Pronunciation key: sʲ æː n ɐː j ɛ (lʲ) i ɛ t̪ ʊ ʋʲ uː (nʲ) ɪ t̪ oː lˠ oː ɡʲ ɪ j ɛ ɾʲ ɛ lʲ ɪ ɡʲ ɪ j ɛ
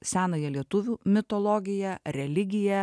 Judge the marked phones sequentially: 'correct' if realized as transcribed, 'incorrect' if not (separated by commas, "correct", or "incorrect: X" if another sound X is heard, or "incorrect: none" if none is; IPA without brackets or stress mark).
correct, incorrect: mʲ